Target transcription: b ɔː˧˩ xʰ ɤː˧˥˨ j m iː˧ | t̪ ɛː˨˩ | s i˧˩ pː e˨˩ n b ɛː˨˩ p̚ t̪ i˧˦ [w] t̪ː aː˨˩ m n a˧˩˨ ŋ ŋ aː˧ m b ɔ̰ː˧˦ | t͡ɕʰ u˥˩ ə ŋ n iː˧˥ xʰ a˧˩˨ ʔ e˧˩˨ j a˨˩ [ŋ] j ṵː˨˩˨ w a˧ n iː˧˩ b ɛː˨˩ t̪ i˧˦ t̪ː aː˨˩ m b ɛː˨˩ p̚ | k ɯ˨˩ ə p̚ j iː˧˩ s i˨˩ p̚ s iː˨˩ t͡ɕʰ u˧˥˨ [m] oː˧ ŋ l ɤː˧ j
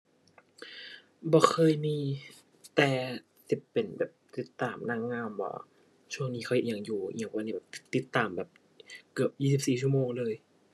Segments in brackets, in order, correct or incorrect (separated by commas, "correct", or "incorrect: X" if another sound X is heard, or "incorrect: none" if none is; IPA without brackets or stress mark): incorrect: none, correct, correct